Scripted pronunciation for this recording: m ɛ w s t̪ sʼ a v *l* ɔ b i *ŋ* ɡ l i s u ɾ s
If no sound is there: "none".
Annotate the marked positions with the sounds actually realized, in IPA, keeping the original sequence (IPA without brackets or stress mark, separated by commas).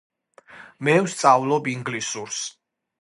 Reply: l, ŋ